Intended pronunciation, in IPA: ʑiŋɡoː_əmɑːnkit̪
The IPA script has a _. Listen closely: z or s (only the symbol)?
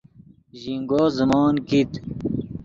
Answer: z